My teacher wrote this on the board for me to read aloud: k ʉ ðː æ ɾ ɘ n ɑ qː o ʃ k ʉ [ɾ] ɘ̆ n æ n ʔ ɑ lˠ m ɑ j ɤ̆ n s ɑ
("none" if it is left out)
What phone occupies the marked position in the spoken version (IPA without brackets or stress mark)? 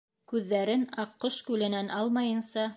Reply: l